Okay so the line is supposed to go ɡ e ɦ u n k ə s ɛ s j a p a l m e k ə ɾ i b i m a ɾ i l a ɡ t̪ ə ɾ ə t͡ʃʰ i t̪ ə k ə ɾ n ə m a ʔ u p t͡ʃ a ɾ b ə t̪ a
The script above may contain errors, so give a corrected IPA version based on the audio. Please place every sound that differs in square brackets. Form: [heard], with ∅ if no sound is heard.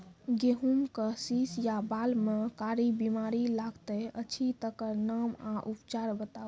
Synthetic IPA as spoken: ɡ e ɦ u [m] k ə s [i] s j a [b] a l m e k [a] ɾ i b i m a ɾ i l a ɡ t̪ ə [∅] ə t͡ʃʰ i t̪ ə k ə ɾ n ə m a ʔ u p t͡ʃ a ɾ b ə t̪ a